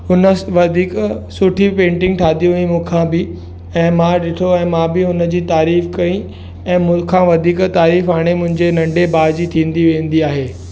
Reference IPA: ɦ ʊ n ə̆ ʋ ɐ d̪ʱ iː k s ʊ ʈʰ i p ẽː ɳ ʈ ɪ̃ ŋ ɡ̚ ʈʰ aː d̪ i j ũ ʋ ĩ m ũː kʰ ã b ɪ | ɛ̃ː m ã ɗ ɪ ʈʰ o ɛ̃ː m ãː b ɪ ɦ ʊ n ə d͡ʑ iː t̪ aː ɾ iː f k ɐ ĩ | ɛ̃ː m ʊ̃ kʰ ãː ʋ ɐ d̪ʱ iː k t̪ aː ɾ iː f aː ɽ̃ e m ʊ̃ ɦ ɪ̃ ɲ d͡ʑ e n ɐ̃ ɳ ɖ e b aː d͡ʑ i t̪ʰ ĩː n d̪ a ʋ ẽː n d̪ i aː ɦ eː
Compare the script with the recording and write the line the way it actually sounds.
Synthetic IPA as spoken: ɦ ʊ n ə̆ ʋ ɐ d̪ʱ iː k s ʊ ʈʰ i p ẽː ɳ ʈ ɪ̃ ŋ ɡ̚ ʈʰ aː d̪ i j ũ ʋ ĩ m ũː kʰ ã b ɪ | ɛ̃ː m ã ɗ ɪ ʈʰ o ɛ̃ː m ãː b ɪ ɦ ʊ n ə d͡ʑ iː t̪ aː ɾ iː f k ɐ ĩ | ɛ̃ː m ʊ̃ kʰ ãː ʋ ɐ d̪ʱ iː k t̪ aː ɾ iː f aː ɽ̃ e m ʊ̃ ɦ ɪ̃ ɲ d͡ʑ e n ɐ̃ ɳ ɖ e b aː d͡ʑ i t̪ʰ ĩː n d̪ i ʋ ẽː n d̪ i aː ɦ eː